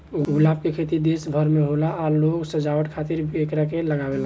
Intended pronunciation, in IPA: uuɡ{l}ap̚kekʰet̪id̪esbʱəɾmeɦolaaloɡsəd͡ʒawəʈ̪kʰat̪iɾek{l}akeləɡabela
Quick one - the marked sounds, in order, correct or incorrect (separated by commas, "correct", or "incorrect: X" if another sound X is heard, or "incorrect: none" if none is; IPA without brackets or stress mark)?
correct, incorrect: ɾ